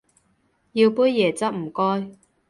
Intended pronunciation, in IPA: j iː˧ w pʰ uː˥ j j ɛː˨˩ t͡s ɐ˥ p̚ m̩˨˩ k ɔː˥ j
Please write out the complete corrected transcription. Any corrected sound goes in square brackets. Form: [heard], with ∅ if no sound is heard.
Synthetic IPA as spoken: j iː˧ w [p] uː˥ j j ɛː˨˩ t͡s ɐ˥ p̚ m̩˨˩ k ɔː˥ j